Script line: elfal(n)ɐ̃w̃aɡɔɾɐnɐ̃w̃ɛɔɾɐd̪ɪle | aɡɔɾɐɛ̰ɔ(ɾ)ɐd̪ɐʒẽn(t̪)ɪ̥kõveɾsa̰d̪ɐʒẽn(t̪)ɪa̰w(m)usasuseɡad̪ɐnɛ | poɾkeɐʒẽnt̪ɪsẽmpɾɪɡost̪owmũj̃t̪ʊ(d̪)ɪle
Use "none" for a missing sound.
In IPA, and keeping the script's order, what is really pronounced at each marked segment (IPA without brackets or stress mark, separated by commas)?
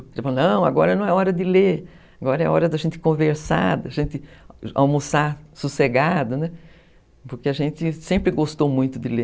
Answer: n, ɾ, t̪, t̪, m, d̪